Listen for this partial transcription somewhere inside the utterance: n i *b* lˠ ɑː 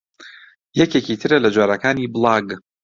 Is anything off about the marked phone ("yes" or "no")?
no